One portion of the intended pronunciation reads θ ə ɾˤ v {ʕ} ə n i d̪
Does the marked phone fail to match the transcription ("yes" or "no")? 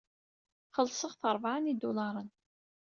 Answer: no